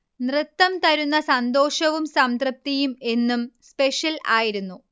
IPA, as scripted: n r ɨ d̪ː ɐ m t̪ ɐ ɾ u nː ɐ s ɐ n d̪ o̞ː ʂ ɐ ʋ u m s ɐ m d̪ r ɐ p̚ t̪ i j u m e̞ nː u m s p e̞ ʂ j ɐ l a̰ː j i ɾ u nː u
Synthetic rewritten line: n r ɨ t̪ː ɐ m t̪ ɐ ɾ u nː ɐ s ɐ n d̪ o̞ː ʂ ɐ ʋ u m s ɐ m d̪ r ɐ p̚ t̪ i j u m e̞ nː u m s p e̞ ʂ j ɐ l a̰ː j i ɾ u nː u